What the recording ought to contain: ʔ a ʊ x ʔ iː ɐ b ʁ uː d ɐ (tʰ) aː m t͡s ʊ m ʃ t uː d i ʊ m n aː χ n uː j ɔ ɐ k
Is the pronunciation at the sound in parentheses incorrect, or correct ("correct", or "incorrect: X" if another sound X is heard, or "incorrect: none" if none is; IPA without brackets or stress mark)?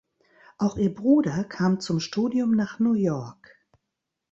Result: incorrect: kʰ